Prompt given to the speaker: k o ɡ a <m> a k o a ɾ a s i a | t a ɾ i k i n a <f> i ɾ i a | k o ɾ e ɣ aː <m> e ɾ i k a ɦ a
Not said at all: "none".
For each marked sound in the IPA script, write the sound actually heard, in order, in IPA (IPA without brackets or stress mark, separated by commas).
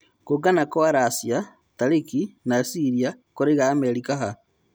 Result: n, s, m